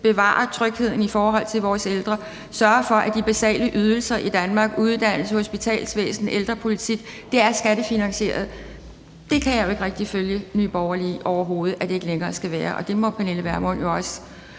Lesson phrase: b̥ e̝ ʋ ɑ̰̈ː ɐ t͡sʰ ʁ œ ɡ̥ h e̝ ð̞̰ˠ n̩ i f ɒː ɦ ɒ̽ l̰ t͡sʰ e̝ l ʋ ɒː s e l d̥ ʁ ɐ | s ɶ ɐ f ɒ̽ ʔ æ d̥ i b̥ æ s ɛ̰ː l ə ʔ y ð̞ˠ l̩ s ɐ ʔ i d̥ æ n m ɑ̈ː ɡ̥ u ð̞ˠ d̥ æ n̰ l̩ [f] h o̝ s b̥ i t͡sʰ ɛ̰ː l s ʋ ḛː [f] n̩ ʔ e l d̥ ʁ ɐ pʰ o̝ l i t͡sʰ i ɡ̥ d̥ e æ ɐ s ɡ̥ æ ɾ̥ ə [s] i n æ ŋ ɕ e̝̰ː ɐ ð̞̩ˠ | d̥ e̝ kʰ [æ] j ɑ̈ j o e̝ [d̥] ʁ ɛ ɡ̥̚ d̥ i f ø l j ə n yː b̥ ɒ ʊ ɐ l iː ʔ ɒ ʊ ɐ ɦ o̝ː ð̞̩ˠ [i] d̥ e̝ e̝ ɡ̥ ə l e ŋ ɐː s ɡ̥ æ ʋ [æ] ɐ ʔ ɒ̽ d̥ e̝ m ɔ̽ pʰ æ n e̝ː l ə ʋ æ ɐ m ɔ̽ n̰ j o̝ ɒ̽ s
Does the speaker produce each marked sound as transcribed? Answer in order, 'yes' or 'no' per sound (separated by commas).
no, no, no, yes, no, no, no